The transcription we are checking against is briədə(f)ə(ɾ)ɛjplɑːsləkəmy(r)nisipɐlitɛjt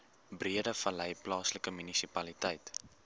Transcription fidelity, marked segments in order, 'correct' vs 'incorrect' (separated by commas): correct, incorrect, incorrect